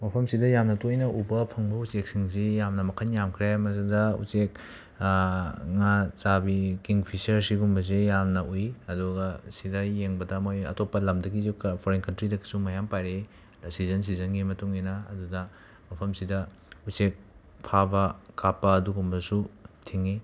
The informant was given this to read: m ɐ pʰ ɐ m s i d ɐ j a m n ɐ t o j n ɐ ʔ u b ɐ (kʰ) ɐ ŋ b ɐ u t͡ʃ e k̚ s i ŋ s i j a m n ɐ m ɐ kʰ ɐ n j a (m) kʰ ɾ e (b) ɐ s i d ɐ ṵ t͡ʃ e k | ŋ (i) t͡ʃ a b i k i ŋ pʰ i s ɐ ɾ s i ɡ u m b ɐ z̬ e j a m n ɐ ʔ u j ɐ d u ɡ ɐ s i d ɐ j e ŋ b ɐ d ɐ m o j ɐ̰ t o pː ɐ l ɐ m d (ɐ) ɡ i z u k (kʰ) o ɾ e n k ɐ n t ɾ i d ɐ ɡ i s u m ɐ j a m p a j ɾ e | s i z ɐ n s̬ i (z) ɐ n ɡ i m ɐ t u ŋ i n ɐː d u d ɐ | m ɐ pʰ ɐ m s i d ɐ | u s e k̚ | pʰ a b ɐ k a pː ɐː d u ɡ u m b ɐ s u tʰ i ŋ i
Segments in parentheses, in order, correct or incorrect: incorrect, correct, incorrect, incorrect, correct, incorrect, correct

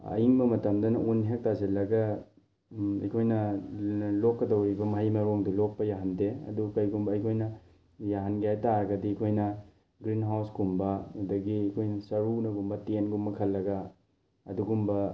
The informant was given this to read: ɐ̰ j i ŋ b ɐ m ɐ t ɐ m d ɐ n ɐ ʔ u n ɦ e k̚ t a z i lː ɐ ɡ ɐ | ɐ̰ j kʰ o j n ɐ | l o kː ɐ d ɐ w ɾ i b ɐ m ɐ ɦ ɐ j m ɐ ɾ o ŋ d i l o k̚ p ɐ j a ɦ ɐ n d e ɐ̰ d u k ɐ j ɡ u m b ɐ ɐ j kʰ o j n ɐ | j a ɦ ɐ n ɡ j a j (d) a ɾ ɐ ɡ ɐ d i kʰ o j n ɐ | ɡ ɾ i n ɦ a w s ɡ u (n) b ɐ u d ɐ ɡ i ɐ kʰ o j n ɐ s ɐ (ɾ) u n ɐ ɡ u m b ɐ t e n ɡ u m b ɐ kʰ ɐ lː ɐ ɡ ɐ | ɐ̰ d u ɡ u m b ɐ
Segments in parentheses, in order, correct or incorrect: incorrect, incorrect, correct

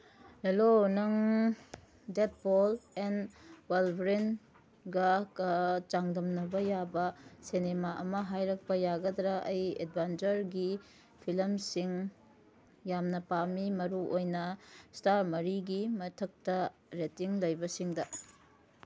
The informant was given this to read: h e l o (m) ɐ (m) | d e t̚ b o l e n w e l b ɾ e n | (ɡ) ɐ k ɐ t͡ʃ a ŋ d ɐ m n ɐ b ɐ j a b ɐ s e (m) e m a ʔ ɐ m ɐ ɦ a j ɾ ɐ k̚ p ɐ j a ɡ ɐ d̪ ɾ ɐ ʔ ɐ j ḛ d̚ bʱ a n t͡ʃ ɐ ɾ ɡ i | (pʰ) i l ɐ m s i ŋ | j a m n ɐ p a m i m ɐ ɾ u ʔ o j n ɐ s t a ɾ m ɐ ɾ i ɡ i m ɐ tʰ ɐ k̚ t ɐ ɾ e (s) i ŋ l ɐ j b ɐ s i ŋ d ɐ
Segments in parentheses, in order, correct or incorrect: incorrect, incorrect, correct, incorrect, correct, incorrect

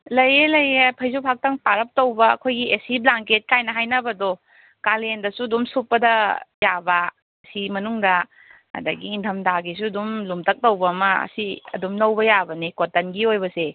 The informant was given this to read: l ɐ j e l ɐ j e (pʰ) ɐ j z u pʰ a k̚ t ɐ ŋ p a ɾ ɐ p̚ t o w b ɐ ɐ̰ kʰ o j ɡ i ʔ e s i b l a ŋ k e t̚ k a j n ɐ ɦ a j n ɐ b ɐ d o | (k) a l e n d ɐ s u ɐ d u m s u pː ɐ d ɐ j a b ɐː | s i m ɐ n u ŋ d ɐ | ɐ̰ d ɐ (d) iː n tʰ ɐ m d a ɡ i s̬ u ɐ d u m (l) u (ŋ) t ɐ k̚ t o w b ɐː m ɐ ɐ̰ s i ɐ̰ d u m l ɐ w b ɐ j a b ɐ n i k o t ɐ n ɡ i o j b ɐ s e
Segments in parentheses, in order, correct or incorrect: correct, correct, incorrect, correct, incorrect

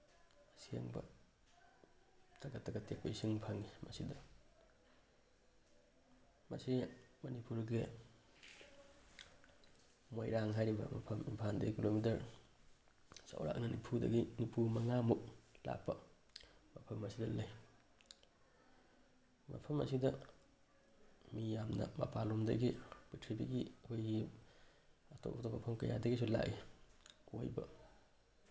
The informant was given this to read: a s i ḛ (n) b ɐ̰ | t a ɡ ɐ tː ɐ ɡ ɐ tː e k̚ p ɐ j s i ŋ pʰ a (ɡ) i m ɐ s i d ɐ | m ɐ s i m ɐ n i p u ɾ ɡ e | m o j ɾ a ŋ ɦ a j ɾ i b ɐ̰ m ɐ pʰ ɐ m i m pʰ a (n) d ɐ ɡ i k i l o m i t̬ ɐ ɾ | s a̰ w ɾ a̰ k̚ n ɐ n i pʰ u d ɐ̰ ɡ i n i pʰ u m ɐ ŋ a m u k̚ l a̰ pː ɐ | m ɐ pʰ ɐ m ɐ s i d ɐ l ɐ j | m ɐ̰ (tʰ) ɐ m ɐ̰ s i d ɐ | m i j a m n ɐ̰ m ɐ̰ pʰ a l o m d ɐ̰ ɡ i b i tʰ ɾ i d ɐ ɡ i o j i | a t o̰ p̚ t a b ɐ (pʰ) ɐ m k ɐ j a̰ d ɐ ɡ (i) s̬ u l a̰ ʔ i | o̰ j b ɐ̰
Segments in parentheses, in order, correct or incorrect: incorrect, incorrect, correct, incorrect, correct, correct

